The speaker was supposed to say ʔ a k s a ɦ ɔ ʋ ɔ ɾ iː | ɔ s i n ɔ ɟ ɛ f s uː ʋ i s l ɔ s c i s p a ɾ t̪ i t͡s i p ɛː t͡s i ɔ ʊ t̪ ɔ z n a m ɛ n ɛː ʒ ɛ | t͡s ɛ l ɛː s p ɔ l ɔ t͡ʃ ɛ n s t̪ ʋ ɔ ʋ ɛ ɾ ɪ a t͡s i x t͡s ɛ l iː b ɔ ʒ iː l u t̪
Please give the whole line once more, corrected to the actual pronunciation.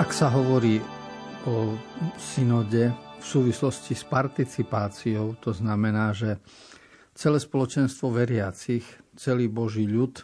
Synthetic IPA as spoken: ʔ a k s a ɦ ɔ ʋ ɔ ɾ iː | ɔ s i n ɔ ɟ ɛ f s uː ʋ i s l ɔ s c i s p a ɾ t̪ i t͡s i p aː t͡s i ɔ ʊ t̪ ɔ z n a m ɛ n aː ʒ ɛ | t͡s ɛ l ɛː s p ɔ l ɔ t͡ʃ ɛ n s t̪ ʋ ɔ ʋ ɛ ɾ ɪ a t͡s i x t͡s ɛ l iː b ɔ ʒ iː ʎ u t̪